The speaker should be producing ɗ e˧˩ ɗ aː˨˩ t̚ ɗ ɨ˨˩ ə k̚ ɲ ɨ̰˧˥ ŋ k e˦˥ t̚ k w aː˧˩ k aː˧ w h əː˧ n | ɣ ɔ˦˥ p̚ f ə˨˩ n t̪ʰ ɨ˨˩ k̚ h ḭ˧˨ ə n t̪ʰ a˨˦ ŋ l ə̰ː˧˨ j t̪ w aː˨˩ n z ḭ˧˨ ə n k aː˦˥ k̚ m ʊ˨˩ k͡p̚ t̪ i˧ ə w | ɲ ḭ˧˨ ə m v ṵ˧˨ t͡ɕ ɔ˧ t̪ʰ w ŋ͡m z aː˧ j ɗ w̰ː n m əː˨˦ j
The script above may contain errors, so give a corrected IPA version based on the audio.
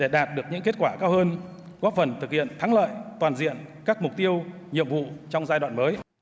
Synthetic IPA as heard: ɗ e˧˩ ɗ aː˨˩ t̚ ɗ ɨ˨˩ ə k̚ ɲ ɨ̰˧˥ ŋ k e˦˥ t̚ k w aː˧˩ k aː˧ w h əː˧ n | ɣ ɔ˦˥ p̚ f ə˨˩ n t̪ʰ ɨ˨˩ k̚ h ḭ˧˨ ə n t̪ʰ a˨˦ ŋ l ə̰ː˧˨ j t̪ w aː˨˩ n z ḭ˧˨ ə n k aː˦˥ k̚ m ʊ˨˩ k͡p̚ t̪ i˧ ə w | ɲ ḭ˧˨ ə m v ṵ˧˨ t͡ɕ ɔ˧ w ŋ͡m z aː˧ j ɗ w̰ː n m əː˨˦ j